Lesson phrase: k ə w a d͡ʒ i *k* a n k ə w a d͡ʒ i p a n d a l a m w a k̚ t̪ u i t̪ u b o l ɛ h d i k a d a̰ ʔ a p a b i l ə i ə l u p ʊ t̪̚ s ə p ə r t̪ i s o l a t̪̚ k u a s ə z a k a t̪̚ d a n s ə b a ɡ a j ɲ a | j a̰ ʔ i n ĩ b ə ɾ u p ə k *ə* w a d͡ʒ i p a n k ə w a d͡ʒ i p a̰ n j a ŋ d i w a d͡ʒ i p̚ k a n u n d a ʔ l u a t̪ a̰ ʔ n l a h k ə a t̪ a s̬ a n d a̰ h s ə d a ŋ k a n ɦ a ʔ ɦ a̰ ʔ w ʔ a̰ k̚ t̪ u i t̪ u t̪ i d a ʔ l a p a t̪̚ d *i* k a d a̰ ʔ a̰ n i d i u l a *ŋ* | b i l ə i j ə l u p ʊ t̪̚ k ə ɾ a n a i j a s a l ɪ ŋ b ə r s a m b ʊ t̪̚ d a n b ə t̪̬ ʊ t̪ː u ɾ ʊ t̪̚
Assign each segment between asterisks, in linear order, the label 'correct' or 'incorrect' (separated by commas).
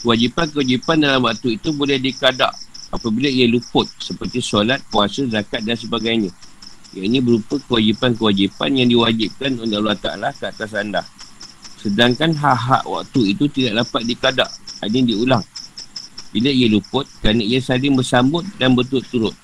incorrect, correct, correct, correct